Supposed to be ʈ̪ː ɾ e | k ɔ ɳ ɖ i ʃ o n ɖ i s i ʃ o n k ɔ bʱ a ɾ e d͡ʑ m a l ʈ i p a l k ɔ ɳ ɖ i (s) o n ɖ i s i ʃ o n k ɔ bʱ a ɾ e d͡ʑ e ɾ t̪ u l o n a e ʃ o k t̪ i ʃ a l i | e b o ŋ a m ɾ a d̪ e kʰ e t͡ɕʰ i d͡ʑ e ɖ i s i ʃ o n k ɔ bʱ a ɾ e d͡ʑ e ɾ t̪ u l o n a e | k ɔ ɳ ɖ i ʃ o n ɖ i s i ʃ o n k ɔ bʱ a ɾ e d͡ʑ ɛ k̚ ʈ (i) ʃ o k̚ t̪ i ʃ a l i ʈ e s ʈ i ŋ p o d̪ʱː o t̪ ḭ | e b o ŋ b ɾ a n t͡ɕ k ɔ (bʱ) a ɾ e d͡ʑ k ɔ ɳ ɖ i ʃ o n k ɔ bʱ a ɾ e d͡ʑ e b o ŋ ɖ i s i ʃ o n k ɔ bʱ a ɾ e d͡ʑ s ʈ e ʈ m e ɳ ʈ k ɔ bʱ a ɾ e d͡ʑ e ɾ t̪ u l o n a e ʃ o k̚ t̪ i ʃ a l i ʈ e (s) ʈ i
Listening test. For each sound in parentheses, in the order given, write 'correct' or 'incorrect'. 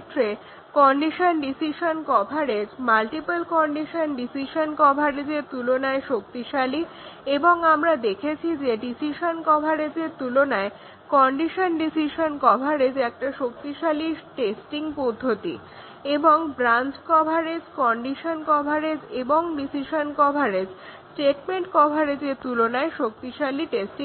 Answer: incorrect, incorrect, correct, correct

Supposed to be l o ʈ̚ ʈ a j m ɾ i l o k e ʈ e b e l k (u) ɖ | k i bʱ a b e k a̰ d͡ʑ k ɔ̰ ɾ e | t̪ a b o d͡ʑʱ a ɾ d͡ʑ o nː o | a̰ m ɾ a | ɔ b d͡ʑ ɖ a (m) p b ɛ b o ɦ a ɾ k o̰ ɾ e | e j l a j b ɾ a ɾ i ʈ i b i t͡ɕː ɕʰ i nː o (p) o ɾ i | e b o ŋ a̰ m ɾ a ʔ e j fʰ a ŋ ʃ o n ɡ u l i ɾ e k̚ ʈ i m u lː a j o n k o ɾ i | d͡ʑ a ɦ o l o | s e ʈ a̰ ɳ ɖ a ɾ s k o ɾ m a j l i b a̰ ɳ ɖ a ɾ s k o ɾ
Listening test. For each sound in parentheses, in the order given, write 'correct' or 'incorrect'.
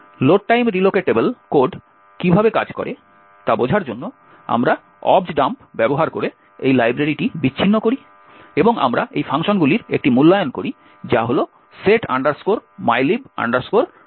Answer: incorrect, correct, incorrect

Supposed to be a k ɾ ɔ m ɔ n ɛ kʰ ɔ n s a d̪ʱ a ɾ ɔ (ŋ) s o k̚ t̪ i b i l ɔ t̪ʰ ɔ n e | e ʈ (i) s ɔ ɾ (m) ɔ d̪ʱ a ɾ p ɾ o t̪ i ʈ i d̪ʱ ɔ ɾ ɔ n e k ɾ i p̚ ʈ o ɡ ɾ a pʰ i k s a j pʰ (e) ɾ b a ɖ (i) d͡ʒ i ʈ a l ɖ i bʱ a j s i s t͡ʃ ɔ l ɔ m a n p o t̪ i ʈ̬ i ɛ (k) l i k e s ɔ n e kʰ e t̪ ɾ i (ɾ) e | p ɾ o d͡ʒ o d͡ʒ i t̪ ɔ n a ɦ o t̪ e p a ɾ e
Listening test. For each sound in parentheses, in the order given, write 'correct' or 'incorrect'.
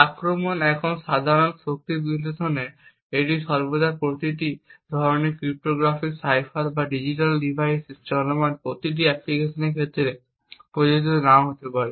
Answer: incorrect, correct, incorrect, incorrect, correct, incorrect, correct

